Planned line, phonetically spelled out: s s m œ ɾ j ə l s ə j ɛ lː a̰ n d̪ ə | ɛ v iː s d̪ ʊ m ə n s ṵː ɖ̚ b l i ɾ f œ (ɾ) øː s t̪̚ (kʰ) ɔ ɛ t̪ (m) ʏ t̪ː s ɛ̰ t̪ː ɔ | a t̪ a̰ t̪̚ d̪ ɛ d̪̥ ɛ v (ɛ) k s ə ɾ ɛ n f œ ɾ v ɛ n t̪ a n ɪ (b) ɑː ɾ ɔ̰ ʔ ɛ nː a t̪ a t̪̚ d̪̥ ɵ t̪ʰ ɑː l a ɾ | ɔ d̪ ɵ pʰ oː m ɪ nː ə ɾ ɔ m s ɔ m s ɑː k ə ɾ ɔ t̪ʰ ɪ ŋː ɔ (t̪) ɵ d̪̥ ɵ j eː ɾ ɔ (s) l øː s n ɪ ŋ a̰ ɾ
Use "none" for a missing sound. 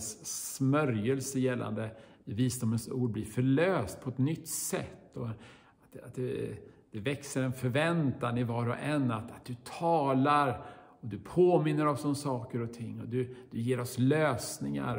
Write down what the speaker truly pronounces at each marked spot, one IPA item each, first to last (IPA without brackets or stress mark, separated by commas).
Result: ɭ, pʰ, n, ɛ, v, d̪, s